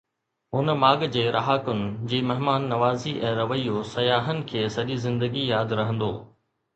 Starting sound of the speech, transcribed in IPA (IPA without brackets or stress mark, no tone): ɦ